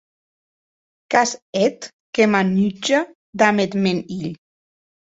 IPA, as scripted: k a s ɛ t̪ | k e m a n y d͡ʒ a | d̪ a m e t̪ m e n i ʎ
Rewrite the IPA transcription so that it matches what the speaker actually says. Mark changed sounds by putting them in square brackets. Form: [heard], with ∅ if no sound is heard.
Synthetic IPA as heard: k a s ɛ t̪ | k e m a n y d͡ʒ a | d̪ a m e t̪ m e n i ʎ